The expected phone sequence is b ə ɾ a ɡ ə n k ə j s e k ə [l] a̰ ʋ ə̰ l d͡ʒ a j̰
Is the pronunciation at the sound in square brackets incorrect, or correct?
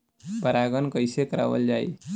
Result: incorrect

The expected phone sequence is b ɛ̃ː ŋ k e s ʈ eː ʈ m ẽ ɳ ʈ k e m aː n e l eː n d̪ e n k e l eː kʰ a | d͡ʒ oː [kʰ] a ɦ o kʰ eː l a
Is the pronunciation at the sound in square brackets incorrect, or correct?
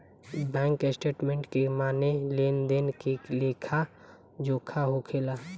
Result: correct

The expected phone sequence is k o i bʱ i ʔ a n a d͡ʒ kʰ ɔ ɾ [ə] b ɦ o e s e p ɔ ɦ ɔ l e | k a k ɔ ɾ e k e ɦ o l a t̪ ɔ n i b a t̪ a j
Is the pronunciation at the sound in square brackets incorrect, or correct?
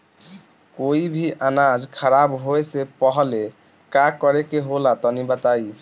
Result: incorrect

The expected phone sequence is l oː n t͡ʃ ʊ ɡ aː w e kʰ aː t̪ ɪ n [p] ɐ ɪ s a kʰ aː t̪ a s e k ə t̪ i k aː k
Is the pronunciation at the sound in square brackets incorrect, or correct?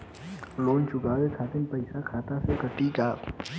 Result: correct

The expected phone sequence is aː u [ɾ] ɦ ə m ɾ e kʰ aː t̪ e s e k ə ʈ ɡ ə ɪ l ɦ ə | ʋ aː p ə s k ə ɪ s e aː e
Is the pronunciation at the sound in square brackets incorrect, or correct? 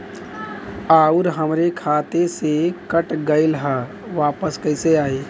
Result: correct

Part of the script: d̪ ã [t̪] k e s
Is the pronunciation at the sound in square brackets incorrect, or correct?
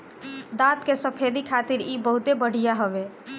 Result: correct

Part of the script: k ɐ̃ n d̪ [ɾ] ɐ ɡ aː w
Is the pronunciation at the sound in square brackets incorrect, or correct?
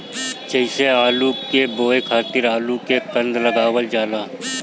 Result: incorrect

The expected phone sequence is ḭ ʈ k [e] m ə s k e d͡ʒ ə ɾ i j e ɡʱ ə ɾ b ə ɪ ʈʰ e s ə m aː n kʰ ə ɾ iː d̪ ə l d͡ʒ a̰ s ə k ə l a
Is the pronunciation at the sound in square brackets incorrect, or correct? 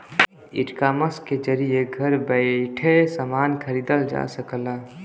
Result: incorrect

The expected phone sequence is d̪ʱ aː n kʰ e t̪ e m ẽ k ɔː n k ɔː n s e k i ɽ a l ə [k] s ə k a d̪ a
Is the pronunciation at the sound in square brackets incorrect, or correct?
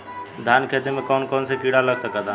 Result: incorrect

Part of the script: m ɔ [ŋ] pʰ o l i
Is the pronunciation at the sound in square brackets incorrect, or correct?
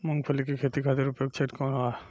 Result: correct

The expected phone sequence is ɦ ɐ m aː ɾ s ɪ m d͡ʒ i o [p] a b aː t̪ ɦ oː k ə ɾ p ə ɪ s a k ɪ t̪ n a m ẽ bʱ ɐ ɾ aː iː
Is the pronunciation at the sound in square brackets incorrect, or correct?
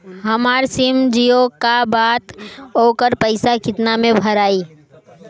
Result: incorrect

